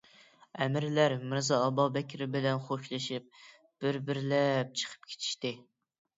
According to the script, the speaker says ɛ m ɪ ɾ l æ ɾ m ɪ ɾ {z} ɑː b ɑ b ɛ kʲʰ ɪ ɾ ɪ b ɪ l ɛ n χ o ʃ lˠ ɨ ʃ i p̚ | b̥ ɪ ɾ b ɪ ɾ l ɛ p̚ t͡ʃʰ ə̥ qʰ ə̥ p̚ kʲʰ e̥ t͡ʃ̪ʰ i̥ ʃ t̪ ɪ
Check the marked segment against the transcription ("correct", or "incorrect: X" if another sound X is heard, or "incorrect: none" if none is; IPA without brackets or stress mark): correct